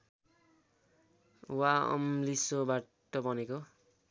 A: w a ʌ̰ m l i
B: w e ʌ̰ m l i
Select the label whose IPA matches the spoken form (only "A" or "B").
A